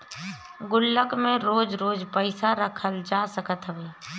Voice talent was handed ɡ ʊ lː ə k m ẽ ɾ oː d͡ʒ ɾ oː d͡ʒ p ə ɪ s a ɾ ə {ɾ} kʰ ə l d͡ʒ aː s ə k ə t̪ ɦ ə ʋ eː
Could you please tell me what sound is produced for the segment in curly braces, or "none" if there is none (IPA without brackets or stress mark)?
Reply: none